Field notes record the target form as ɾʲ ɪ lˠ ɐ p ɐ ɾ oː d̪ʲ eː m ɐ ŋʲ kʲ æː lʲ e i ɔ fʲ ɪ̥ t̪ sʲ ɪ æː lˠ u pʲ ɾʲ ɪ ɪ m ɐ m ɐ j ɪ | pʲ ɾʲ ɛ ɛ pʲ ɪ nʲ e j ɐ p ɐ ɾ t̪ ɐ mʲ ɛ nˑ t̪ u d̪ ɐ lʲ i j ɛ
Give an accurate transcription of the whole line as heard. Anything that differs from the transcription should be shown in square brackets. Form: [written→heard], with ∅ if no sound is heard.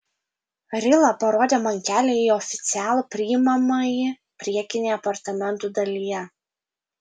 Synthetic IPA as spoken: ɾʲ ɪ lˠ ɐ p ɐ ɾ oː d̪ʲ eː m ɐ ŋʲ kʲ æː lʲ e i ɔ fʲ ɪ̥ t̪ sʲ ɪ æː lˠ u pʲ ɾʲ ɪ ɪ m ɐ m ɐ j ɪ | pʲ ɾʲ [ɛ→i] ɛ [pʲ→kʲ] ɪ nʲ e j ɐ p ɐ ɾ t̪ ɐ mʲ ɛ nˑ t̪ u d̪ ɐ lʲ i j ɛ